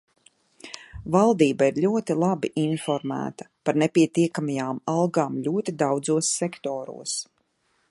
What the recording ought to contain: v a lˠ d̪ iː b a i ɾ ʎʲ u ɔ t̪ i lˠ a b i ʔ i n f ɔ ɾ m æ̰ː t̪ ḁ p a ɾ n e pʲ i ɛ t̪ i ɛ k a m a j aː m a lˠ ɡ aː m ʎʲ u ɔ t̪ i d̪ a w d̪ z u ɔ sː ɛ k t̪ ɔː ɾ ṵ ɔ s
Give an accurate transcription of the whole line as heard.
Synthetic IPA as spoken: v a lˠ d̪ iː b a i ɾ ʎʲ u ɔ t̪ i lˠ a b i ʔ i n f ɔ ɾ m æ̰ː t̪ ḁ p a ɾ n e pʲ i ɛ t̪ i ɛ k a m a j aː m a lˠ ɡ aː m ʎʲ u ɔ t̪ i d̪ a w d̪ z u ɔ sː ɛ k t̪ ɔː ɾ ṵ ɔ s